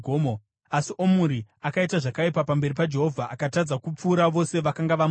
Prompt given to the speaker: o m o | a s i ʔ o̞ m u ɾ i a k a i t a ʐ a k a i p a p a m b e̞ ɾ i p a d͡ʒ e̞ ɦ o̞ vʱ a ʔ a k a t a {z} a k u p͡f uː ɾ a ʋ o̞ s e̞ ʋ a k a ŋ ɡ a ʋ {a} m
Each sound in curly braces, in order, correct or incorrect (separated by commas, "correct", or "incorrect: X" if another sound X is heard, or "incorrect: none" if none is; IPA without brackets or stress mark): incorrect: d͡z, correct